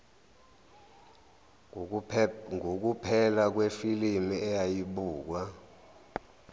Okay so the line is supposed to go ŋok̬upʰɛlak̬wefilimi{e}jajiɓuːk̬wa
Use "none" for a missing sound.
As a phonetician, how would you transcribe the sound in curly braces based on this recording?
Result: ɛ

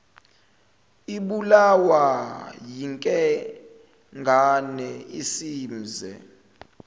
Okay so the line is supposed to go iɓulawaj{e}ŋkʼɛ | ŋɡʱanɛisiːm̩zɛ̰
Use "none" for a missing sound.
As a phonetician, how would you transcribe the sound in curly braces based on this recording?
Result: i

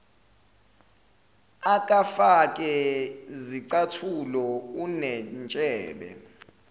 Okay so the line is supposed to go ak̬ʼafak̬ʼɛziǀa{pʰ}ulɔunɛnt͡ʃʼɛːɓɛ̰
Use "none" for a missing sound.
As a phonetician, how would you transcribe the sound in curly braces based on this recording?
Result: tʰ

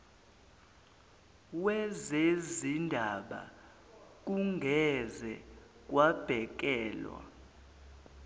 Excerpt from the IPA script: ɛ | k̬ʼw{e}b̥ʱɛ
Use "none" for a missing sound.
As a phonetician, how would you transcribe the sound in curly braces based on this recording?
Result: a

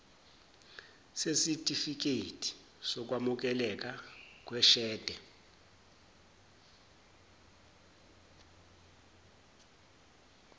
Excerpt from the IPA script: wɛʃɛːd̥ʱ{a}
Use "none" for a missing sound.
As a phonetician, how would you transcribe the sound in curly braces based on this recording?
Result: ɛ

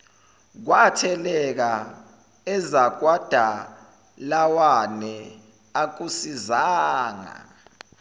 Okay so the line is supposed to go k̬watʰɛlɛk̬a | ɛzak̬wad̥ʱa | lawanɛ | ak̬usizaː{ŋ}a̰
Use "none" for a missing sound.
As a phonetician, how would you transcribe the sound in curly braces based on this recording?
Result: ŋ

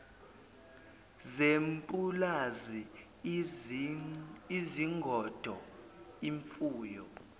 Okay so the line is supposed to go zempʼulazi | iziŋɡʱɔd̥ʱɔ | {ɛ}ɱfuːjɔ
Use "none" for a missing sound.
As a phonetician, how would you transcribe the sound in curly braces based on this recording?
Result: i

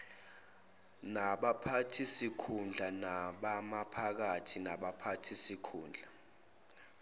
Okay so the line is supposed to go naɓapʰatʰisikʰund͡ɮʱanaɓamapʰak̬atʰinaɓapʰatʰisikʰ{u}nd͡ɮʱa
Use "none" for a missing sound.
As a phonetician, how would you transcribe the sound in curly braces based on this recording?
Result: uː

